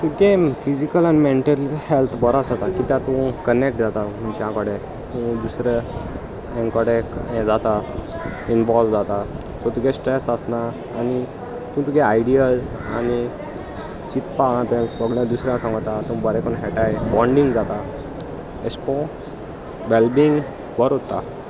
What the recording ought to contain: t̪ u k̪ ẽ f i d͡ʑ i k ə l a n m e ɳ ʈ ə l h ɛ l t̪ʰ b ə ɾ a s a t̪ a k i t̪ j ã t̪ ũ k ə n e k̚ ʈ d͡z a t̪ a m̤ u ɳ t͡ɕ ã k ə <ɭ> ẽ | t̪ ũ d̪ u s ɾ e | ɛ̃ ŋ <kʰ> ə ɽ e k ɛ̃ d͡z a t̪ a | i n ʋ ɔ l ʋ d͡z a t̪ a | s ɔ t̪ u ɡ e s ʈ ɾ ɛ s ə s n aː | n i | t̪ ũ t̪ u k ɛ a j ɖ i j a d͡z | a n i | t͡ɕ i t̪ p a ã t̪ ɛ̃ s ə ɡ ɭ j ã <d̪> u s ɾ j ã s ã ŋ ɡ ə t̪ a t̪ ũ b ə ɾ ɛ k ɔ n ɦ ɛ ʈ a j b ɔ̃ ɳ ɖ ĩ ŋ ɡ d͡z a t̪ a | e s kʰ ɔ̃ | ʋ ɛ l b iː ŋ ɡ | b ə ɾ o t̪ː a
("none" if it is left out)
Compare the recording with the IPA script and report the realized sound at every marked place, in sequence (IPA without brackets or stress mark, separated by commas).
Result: ɽ, k, d̪